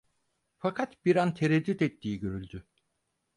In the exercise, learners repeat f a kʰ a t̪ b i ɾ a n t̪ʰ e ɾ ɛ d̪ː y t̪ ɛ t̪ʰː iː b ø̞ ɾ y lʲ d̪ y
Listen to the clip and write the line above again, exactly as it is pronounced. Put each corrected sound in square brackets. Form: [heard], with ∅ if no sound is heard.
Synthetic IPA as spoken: f a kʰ a t̪ b i ɾ a n t̪ʰ e ɾ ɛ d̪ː y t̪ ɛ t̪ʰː iː [ɟ] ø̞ ɾ y lʲ d̪ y